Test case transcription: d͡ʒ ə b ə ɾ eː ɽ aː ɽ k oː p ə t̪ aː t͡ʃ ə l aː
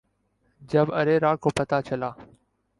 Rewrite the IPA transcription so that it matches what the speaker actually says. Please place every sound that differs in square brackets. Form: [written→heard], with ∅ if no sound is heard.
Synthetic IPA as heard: d͡ʒ ə b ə ɾ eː [ɽ→ɾ] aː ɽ k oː p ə t̪ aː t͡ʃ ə l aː